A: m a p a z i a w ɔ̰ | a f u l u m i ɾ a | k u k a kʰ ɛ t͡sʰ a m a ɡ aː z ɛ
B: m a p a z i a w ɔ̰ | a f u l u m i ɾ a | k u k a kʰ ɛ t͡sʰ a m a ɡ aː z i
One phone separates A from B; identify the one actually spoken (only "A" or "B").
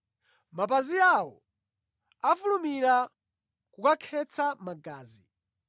B